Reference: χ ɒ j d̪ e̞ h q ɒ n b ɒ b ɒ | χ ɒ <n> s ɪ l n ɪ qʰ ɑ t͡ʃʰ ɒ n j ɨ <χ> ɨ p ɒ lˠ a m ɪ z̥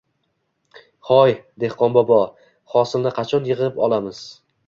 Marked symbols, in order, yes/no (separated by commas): no, no